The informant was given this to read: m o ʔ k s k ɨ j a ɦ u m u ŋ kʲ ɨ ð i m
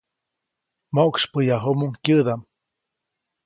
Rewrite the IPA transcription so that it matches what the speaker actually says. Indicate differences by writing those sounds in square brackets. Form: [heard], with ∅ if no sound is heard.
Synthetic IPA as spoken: m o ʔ k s [p] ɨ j a ɦ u m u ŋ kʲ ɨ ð [a] m

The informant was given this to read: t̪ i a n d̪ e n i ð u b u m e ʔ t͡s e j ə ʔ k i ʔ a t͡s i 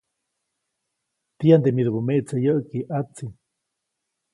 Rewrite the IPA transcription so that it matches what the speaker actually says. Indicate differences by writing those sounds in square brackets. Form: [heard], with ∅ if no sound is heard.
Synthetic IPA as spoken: t̪ i a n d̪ e [m] i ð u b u m e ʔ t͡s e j ə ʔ k i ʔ a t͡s i

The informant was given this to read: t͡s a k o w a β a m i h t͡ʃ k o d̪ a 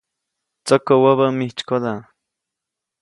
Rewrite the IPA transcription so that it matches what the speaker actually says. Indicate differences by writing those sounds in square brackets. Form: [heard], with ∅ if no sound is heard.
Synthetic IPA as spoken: t͡s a k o w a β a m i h t͡ʃ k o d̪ a

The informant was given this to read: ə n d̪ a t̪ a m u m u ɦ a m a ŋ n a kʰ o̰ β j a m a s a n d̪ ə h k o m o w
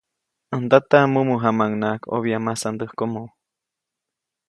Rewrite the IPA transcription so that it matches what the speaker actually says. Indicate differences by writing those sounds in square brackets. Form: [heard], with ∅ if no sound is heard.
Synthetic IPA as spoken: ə n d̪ a t̪ a m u m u ɦ a m a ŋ n a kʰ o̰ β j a m a s a n d̪ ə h k o m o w

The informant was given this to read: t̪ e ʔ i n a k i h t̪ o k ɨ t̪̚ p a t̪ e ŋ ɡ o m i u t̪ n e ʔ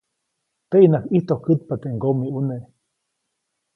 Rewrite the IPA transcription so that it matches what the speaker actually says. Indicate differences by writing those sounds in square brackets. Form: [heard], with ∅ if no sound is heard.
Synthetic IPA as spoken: t̪ e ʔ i n a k i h t̪ o k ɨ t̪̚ p a t̪ e ŋ ɡ o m i u [∅] n e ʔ

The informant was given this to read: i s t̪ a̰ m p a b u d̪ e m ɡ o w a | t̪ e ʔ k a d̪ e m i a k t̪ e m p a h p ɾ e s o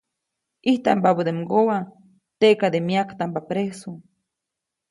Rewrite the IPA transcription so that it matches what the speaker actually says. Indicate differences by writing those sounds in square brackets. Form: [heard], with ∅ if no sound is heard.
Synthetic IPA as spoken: i [h] t̪ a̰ m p a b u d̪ e m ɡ o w a | t̪ e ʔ k a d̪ e m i a k t̪ [a] m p a [∅] p ɾ e s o

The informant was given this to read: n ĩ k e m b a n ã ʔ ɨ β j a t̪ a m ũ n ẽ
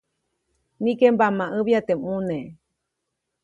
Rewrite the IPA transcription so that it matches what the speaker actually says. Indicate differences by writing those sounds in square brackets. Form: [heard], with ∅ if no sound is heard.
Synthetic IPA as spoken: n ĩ k e m b a [m] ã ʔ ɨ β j a t̪ [e] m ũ n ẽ

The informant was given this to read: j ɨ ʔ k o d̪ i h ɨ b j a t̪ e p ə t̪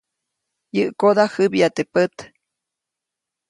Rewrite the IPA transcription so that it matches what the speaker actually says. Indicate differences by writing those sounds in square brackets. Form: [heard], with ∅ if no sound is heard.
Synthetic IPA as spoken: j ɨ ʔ k o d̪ [a] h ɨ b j a t̪ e p ə t̪

